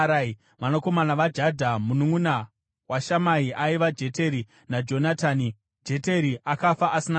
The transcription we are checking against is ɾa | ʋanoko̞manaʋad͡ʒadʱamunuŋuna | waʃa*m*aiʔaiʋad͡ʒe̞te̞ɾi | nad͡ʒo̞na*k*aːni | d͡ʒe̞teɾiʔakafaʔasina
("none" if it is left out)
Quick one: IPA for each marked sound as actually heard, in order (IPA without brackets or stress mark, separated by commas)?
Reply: m, t